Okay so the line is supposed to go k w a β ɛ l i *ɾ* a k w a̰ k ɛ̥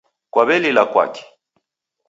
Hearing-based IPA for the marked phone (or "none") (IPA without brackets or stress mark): l